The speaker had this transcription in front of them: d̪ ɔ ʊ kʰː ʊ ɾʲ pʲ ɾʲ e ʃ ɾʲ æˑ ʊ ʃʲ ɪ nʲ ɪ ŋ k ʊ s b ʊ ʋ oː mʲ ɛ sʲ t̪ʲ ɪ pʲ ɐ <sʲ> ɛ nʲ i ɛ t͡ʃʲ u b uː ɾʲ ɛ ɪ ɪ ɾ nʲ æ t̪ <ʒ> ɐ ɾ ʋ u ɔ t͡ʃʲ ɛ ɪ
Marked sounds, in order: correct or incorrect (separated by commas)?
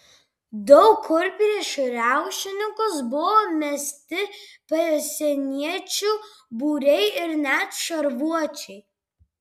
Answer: correct, incorrect